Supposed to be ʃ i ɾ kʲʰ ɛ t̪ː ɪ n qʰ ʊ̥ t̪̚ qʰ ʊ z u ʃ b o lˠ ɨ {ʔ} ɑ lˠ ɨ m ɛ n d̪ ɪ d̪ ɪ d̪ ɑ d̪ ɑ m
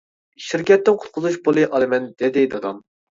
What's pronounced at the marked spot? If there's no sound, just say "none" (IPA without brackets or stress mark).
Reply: ʔ